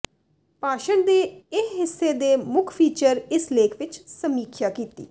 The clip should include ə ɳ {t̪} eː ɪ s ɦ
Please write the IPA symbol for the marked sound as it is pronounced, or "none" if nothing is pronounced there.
d̪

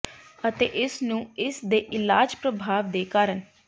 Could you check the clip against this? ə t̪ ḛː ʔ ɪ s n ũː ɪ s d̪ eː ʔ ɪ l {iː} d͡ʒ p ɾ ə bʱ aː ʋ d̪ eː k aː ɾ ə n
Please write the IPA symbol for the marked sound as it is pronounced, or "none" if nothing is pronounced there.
aː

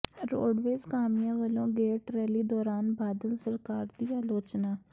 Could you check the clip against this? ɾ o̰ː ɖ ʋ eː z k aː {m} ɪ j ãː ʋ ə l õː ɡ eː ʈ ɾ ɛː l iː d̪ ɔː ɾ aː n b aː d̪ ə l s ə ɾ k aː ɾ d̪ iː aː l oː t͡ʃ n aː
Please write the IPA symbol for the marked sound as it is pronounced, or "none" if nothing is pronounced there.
m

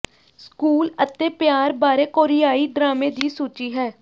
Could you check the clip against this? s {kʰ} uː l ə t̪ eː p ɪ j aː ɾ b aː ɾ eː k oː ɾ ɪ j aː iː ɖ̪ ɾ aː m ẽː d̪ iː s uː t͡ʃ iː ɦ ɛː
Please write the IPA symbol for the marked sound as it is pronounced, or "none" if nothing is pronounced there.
k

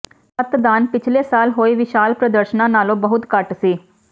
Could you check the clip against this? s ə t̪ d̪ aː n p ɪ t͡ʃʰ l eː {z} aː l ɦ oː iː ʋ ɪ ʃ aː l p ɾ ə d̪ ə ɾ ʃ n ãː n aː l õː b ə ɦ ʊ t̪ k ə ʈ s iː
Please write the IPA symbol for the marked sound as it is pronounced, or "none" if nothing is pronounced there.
s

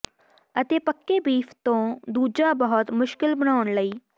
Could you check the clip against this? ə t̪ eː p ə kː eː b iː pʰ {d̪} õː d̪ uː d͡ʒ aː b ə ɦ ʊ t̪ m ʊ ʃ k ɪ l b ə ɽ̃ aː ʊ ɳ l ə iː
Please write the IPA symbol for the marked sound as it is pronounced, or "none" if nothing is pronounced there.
t̪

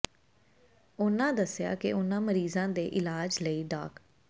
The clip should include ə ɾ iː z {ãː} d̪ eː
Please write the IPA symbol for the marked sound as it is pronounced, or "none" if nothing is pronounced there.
ãː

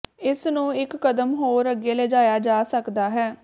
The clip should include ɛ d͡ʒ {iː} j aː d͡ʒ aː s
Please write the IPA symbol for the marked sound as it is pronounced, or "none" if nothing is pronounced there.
aː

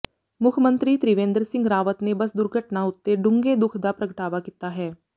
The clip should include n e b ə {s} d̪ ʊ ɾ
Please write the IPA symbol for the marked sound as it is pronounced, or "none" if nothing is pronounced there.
s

